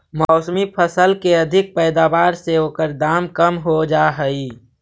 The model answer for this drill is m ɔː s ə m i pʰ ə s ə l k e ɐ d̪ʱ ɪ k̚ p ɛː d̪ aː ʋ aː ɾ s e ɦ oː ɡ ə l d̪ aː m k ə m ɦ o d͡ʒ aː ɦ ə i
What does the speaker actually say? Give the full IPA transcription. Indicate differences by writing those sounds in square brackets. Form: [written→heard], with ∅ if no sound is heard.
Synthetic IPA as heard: m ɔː s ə m i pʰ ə s ə l k e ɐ d̪ʱ ɪ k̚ p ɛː d̪ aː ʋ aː ɾ s e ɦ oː [ɡ→k] ə [l→ɾ] d̪ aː m k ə m ɦ o d͡ʒ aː ɦ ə i